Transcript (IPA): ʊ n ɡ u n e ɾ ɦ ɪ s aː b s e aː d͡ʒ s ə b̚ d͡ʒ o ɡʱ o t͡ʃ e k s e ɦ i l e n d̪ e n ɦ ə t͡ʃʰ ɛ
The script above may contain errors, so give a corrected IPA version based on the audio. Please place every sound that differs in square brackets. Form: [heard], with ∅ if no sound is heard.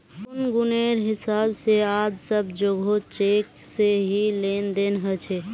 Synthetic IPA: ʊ n ɡ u n e ɾ ɦ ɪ s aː b s e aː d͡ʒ s ə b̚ d͡ʒ o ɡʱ o t͡ʃ e k s e ɦ i l e n d̪ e n ɦ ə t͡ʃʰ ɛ